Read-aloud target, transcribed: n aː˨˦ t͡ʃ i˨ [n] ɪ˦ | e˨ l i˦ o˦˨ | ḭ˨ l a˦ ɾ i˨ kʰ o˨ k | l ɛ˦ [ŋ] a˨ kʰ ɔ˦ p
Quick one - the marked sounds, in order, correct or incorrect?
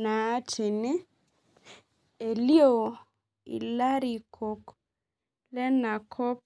correct, incorrect: n

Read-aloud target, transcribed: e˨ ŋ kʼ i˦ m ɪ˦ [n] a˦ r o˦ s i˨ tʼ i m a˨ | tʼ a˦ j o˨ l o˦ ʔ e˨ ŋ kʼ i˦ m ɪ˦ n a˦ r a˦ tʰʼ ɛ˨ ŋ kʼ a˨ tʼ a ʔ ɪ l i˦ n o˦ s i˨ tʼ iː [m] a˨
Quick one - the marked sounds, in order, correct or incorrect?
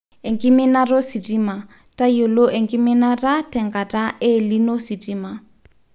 correct, correct

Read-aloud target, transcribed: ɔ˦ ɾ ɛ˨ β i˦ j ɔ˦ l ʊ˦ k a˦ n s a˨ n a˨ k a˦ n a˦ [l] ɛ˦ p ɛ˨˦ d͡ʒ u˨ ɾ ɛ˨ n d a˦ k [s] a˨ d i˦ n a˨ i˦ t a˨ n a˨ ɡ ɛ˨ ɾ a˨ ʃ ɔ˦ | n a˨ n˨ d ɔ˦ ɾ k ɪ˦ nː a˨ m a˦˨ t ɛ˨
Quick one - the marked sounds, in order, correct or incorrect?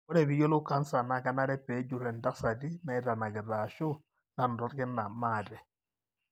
incorrect: ɾ, correct

